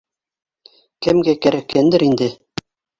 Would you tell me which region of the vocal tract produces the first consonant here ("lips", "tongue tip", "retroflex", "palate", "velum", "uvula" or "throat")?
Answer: velum